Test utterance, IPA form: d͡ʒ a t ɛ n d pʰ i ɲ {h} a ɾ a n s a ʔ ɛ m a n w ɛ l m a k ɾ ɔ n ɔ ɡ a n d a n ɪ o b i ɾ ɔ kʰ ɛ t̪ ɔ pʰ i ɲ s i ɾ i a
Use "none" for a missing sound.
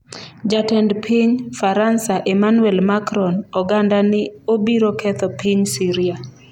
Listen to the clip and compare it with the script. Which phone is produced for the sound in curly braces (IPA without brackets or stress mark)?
f